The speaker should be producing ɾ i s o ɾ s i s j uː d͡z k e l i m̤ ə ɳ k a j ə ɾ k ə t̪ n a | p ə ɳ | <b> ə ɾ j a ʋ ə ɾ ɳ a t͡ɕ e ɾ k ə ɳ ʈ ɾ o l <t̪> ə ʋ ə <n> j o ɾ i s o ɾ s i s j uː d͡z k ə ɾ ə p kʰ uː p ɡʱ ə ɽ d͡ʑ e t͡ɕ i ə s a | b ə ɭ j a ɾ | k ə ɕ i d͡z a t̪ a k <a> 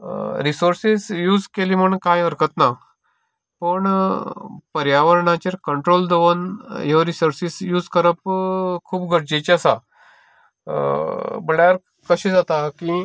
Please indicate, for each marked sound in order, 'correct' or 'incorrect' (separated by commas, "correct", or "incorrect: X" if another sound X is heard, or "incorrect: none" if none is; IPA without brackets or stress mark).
incorrect: p, incorrect: d̪, correct, incorrect: i